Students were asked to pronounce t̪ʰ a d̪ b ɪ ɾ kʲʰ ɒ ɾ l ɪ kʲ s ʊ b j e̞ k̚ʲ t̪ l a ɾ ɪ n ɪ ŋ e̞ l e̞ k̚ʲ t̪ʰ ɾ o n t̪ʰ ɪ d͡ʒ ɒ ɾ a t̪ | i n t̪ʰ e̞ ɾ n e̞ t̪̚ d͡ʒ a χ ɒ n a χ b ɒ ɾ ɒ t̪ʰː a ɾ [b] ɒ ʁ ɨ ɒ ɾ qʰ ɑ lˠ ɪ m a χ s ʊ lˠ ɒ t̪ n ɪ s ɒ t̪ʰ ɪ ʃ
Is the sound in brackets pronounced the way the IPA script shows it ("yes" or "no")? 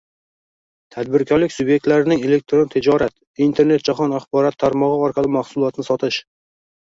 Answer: no